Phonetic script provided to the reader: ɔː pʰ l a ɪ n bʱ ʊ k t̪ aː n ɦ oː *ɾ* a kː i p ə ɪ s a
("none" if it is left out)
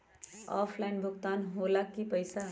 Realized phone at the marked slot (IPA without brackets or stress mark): l